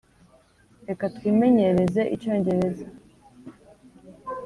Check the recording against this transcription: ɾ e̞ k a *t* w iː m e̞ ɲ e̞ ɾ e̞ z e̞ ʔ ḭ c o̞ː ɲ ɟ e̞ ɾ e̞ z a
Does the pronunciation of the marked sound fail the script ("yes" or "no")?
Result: no